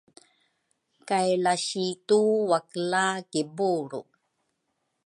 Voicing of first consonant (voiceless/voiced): voiceless